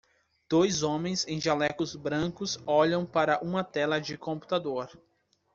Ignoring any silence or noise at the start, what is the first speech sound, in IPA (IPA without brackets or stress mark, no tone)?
d̪̥